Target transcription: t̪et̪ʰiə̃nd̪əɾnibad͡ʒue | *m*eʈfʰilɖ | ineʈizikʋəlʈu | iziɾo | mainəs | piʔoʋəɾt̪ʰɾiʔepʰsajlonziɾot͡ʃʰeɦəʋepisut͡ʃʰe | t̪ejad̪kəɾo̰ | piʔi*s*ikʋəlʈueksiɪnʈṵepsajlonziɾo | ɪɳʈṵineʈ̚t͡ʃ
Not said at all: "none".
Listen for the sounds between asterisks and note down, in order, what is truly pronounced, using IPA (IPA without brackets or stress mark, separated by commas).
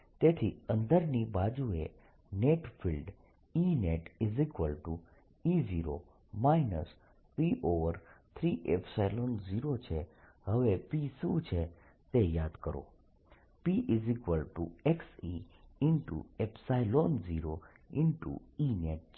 n, z